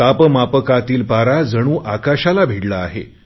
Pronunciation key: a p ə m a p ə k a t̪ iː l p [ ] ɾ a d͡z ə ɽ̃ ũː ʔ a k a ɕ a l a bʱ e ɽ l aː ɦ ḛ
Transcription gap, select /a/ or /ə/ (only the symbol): a